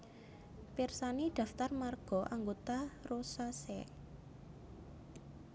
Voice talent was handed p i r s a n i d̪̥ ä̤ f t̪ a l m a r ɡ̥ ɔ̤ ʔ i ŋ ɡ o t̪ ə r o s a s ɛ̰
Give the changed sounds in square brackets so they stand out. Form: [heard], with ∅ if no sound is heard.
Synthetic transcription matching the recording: p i r s a n i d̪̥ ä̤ f t̪ a [r] m a r ɡ̥ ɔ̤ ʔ [a] ŋ ɡ o t̪ [a] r o s a s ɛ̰